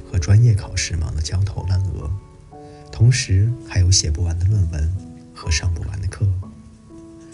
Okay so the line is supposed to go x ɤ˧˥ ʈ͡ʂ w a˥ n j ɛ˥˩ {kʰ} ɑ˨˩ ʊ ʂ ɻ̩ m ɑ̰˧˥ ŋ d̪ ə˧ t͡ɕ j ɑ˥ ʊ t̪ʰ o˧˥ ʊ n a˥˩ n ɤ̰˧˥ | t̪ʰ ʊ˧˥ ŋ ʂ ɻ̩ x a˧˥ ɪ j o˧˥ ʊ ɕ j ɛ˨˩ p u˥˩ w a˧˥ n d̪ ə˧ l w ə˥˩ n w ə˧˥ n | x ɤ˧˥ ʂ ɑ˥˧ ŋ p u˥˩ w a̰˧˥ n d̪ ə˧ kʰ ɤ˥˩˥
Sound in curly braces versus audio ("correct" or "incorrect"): correct